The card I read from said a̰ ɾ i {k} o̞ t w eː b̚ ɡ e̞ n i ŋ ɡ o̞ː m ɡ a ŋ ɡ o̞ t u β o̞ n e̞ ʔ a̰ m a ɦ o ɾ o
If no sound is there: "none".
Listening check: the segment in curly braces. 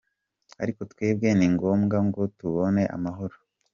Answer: k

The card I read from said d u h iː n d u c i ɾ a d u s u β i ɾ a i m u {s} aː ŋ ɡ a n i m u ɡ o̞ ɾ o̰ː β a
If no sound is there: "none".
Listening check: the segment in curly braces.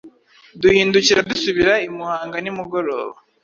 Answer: h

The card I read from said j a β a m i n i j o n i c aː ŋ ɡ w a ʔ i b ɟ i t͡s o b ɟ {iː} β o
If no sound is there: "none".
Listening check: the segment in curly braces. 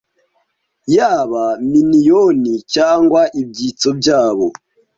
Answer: aː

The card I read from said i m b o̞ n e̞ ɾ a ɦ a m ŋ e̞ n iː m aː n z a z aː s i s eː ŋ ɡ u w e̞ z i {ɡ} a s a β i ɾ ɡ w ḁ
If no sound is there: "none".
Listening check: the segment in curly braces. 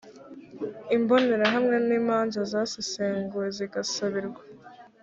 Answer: ɡ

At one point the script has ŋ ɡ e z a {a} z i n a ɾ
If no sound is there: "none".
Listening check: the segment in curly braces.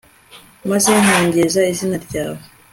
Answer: i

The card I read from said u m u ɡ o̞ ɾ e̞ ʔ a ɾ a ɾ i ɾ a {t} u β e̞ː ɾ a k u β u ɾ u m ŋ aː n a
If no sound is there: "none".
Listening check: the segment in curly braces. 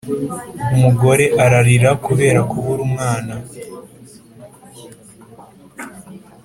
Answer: k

